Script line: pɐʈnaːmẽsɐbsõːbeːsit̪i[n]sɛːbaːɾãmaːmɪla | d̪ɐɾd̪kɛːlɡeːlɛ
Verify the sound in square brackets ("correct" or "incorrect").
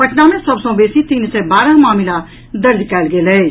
correct